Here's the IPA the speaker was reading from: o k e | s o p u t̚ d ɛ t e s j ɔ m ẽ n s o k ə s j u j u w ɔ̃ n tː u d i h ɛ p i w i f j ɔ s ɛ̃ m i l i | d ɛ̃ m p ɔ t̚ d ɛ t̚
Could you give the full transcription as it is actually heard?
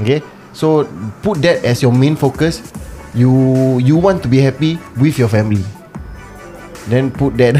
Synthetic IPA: o k e | s o p u t̚ d ɛ t ɛ s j ɔ m ẽ n f o k ə s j u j u w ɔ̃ n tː u b i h ɛ p i w i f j ɔ f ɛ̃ m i l i | d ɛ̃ n p u t̚ d ɛ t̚